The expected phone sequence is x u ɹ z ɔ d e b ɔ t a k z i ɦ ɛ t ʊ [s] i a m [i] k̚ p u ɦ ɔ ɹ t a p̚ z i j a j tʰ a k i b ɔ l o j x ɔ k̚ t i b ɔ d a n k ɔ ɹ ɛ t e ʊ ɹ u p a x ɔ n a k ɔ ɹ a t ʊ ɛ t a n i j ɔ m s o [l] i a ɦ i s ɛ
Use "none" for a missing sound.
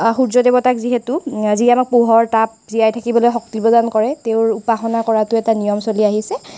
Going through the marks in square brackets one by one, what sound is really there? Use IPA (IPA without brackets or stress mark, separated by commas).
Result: z, a, l